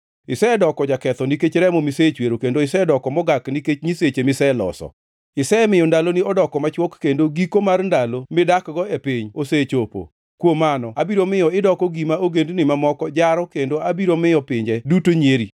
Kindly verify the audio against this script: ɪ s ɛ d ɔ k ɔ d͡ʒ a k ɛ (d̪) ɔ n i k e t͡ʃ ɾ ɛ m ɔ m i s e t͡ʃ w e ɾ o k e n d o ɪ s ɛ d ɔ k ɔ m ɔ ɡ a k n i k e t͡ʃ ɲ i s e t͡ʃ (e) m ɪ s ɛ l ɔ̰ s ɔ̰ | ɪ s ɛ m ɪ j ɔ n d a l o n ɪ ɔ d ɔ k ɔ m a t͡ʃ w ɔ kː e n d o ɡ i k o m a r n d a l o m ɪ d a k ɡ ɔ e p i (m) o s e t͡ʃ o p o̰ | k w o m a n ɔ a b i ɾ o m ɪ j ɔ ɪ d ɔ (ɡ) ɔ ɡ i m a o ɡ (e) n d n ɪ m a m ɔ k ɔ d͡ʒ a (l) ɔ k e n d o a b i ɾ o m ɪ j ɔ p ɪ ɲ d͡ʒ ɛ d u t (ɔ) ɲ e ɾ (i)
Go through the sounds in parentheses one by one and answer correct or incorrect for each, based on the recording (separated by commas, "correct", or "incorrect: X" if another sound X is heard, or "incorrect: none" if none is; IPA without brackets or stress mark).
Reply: incorrect: t̪, correct, incorrect: ɲ, incorrect: k, correct, incorrect: ɾ, incorrect: o, correct